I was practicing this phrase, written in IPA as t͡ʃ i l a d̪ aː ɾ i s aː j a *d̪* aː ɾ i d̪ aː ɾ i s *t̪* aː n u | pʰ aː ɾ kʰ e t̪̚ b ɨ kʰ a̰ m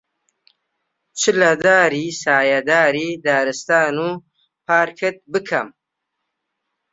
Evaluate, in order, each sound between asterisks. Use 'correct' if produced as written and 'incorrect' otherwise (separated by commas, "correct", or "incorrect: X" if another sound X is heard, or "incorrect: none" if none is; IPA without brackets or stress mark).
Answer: correct, correct